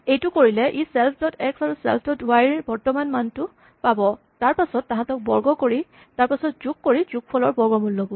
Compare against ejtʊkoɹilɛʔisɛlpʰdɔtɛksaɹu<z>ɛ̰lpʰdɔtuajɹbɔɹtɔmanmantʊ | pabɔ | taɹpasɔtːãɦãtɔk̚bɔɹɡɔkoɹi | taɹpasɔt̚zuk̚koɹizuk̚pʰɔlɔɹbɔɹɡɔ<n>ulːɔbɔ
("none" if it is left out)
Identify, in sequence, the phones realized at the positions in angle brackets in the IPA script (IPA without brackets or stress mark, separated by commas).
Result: s, m